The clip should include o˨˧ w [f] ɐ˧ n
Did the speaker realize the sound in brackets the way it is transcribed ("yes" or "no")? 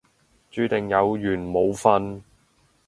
yes